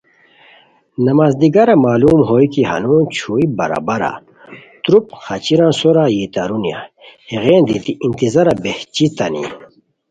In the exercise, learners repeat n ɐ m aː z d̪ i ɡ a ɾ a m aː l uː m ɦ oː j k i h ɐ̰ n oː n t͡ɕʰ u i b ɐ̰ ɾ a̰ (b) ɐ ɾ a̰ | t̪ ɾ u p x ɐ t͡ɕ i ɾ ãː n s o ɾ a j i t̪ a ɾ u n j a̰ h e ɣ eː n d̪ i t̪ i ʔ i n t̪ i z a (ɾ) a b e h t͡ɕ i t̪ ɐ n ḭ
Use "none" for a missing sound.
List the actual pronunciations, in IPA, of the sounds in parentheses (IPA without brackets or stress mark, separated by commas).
b, ɾ